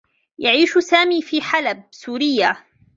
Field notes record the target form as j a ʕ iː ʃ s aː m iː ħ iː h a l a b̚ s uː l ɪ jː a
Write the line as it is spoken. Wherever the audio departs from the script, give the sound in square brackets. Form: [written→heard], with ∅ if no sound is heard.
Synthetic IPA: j a ʕ iː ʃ s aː m iː [ħ→f] iː [h→ħ] a l a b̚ s uː [l→ɾ] ɪ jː a